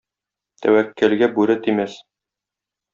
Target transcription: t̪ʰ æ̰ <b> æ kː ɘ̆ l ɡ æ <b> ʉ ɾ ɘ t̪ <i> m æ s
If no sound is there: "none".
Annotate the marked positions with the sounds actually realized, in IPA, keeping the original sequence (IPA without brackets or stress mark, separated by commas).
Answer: w, b, i